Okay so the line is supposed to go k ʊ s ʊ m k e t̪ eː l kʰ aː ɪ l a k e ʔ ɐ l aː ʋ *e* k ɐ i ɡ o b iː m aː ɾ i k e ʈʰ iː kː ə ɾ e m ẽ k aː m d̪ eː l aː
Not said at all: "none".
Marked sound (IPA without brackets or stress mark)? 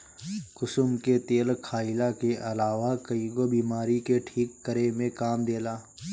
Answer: a